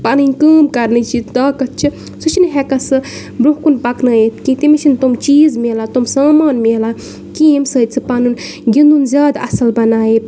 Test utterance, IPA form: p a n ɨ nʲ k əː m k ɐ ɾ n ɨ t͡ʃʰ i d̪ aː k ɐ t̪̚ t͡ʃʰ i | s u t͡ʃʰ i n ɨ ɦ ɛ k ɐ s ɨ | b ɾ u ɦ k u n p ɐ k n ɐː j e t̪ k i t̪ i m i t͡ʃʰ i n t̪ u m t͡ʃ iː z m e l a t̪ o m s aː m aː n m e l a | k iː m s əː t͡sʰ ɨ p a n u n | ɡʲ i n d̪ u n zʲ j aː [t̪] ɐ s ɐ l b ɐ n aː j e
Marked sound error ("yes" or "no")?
yes